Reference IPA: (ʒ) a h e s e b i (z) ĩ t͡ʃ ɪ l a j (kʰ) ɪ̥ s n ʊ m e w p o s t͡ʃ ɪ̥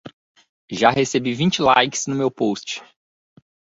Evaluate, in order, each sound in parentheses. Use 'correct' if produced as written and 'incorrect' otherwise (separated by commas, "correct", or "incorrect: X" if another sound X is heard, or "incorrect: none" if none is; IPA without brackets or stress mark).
correct, incorrect: v, incorrect: k